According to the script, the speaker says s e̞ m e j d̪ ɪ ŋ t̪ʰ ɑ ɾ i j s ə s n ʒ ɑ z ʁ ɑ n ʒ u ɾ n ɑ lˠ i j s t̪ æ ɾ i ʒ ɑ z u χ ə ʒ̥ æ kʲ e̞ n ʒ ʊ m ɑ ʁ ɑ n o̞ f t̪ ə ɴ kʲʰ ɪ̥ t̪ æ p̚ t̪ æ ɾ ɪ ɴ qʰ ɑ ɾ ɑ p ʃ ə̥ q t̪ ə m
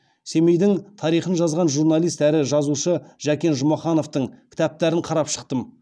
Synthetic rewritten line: s e̞ m e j d̪ ɪ ŋ t̪ʰ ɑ ɾ i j χ ə n ʒ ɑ z ʁ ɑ n ʒ u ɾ n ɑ lˠ i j s t̪ æ ɾ ɪ ʒ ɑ z u ʃ ə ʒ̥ æ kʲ e̞ n ʒ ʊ m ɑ χ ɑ n o̞ f t̪ ə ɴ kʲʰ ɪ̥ t̪ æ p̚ t̪ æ ɾ ɪ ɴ qʰ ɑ ɾ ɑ p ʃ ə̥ q t̪ ə m